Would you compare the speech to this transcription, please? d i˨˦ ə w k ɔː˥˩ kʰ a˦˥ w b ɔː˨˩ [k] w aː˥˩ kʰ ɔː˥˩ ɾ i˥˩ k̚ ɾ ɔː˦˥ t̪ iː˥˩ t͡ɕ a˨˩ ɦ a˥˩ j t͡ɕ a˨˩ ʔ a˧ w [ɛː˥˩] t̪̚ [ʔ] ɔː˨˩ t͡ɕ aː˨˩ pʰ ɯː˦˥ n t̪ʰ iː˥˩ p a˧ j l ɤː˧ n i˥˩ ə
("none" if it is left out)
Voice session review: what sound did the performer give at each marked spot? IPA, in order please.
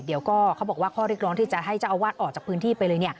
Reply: k, aː˥˩, ʔ

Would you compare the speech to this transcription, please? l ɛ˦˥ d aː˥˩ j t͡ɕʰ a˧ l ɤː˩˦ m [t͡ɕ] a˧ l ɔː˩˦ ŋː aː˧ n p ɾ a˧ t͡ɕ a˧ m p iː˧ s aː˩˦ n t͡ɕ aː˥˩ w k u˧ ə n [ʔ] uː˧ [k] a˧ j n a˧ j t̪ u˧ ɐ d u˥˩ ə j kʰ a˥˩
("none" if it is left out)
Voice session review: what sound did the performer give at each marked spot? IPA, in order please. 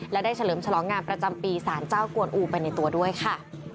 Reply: t͡ɕʰ, ʔ, p

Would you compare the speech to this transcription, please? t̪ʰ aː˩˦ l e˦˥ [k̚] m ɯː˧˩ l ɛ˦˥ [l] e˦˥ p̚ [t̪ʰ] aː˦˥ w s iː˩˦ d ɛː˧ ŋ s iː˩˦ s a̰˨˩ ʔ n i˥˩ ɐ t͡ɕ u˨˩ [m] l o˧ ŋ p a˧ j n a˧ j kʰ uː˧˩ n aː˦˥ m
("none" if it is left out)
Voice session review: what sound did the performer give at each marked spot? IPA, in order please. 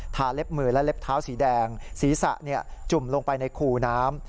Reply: p̚, l, t̪ʰ, m

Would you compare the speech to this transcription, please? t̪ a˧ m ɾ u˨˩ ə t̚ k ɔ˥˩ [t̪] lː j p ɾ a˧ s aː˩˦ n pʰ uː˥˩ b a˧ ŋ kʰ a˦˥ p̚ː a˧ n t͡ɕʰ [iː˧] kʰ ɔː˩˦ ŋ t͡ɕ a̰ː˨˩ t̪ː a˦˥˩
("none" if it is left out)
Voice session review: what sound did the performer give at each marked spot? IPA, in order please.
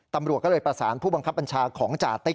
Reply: none, aː˧

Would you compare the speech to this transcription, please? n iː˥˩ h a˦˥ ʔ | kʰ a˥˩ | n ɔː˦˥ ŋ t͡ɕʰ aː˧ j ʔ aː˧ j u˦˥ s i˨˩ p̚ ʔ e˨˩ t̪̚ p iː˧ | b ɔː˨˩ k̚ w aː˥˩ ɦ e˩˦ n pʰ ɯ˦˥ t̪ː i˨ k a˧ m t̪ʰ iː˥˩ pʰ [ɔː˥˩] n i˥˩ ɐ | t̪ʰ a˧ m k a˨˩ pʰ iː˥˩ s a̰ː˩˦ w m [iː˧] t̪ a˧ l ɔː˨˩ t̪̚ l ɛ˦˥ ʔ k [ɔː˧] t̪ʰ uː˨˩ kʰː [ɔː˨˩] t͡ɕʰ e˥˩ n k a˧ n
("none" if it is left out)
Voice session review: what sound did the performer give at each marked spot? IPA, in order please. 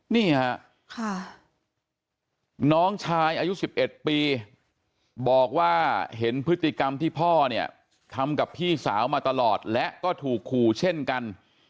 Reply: ɔː˥˩, aː˧, ɔː˥˩, uː˨˩

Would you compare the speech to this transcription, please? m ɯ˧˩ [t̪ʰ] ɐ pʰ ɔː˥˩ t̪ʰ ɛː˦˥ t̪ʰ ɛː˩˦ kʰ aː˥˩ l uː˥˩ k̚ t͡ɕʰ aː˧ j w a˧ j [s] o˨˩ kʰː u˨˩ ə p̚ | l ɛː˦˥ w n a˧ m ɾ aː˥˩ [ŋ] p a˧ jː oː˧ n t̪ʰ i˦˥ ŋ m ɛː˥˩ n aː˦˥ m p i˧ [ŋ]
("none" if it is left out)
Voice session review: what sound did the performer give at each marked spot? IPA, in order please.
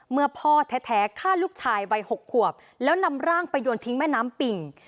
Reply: none, h, ŋ, ŋ

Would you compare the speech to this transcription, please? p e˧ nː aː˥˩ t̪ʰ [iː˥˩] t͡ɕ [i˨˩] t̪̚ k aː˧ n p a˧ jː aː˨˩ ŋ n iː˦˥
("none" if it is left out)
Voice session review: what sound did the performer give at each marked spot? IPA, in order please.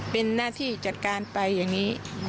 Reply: iː˥˩, a˨˩

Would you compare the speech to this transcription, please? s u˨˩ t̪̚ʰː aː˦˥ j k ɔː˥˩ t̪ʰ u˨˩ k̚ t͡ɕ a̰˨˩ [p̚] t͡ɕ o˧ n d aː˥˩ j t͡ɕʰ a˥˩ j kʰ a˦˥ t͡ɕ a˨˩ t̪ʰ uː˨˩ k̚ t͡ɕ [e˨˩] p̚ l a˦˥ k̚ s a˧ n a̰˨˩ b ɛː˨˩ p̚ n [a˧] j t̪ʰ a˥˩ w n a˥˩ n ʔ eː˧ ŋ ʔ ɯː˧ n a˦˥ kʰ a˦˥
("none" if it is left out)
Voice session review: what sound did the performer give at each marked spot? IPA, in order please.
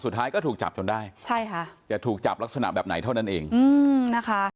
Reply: p̚, a˨˩, a˩˦

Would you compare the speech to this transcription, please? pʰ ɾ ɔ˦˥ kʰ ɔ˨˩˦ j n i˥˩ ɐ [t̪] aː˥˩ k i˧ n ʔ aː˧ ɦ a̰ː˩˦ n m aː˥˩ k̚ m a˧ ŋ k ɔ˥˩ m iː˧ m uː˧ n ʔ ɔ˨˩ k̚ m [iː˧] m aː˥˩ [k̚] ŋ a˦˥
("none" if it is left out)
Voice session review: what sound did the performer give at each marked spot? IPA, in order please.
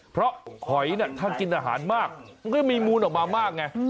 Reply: t̪ʰ, aː˧, k̚

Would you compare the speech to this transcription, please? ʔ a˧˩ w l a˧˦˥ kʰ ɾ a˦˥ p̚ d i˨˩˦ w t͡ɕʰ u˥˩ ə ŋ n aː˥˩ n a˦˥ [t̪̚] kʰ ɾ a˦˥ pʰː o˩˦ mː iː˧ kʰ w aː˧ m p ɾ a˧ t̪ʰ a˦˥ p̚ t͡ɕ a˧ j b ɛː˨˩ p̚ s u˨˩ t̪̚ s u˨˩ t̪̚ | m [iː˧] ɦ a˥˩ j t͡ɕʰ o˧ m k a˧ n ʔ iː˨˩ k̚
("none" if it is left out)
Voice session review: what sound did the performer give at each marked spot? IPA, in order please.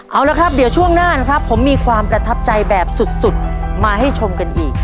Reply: none, aː˧

